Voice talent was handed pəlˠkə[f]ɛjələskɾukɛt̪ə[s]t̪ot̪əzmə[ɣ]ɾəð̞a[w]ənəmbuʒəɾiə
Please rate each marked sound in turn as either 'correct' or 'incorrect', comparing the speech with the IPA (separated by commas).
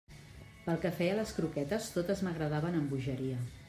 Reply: correct, correct, correct, incorrect